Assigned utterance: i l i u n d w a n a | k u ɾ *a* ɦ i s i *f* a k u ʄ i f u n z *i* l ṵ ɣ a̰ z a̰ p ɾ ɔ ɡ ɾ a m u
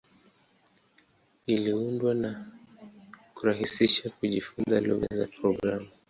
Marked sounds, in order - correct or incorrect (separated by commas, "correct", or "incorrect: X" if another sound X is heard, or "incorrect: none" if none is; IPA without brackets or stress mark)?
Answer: correct, incorrect: ʃ, incorrect: a